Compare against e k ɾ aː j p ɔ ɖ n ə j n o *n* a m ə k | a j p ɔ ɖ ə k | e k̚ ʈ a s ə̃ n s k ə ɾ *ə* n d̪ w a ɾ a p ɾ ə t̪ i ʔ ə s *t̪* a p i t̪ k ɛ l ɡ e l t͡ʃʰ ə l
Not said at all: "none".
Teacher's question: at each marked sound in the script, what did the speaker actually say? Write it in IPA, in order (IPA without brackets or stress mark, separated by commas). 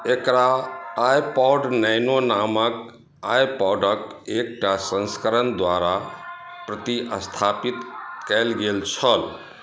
n, ə, t̪ʰ